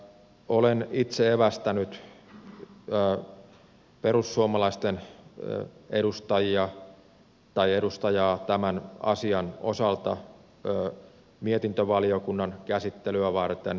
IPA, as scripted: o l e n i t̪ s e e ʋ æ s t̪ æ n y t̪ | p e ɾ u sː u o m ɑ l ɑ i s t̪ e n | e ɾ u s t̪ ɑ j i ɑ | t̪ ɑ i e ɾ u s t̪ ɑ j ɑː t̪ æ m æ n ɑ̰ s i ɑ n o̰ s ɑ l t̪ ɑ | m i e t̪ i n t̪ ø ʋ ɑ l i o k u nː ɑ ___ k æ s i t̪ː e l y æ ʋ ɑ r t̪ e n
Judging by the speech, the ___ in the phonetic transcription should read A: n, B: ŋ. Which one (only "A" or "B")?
A